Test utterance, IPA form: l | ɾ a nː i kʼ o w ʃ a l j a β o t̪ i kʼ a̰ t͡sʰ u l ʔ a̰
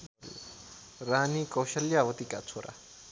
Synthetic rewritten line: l | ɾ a n i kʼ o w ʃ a l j a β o t̪ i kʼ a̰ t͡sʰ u ɾ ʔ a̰